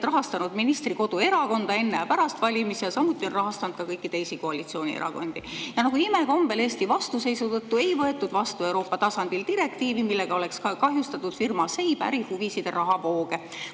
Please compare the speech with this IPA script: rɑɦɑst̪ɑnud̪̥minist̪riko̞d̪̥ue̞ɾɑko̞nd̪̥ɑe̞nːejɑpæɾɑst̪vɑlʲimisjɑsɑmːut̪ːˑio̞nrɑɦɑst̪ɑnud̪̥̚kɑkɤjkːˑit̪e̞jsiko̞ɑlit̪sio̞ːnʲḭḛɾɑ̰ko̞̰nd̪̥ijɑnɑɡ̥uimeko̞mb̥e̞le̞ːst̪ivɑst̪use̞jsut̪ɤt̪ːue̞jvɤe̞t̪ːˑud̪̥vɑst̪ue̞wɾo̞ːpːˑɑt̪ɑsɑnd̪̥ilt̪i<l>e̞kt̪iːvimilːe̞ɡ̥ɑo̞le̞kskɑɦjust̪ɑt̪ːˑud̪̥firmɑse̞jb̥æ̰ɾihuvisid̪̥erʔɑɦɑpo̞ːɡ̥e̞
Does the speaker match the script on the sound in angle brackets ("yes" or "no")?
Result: no